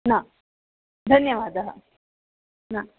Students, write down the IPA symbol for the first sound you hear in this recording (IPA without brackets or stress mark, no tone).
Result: n